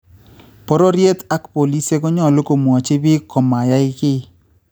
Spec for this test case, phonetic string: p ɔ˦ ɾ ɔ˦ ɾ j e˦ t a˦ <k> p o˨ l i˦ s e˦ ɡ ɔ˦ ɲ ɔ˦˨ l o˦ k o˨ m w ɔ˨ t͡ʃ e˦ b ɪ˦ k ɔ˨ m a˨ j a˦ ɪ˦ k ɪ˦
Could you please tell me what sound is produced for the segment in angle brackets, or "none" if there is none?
k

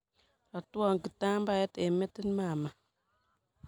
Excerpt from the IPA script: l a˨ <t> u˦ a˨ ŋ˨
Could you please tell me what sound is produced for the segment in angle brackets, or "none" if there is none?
t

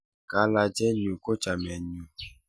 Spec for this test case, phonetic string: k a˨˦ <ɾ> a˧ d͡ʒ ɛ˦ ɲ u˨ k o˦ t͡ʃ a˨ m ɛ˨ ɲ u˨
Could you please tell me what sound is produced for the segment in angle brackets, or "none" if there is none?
l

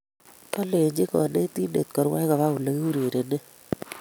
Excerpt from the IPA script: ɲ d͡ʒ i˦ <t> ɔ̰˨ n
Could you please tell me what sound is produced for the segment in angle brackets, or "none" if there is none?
k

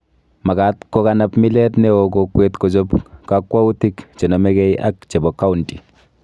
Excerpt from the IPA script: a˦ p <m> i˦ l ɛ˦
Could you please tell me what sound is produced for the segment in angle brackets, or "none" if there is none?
m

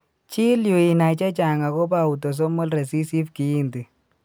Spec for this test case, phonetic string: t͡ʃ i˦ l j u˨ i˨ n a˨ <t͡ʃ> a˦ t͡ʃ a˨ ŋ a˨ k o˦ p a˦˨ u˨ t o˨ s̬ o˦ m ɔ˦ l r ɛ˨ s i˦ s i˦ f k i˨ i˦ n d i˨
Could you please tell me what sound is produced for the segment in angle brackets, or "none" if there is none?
t͡ʃ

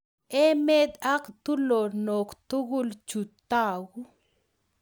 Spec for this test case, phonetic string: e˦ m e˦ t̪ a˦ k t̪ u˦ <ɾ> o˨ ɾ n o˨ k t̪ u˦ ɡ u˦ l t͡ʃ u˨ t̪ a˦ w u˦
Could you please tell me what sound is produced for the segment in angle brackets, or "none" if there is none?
l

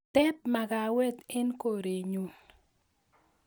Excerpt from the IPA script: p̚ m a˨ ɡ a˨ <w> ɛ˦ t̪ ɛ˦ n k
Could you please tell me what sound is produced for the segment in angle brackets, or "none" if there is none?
w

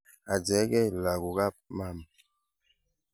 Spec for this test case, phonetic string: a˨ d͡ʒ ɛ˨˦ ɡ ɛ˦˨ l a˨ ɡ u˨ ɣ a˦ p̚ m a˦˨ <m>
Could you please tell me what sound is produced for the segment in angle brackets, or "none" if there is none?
m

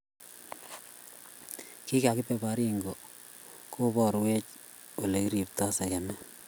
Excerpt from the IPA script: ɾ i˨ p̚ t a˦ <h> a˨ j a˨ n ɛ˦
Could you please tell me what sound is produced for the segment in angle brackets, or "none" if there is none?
s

